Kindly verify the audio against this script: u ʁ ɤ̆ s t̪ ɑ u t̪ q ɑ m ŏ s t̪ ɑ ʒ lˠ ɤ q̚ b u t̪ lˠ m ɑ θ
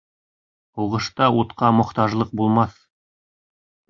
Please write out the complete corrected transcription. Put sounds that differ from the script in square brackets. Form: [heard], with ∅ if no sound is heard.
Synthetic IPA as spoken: u ʁ ɤ̆ [ʃ] t̪ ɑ u t̪ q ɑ m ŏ [χ] t̪ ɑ ʒ lˠ ɤ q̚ b u [∅] lˠ m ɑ θ